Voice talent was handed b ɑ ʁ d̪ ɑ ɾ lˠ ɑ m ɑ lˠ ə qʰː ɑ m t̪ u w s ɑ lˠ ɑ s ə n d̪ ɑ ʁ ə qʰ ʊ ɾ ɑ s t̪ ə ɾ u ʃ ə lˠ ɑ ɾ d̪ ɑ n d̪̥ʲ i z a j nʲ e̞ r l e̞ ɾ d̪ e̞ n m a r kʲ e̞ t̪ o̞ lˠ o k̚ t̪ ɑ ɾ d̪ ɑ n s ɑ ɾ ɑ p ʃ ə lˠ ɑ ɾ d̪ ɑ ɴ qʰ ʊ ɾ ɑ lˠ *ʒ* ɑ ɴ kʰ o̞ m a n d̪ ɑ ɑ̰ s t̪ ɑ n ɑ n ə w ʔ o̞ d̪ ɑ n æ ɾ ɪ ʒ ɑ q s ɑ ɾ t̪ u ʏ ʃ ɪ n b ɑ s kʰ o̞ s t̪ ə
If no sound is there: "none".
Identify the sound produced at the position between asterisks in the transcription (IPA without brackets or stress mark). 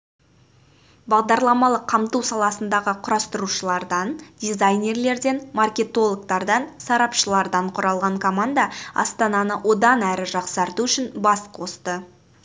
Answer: ʁ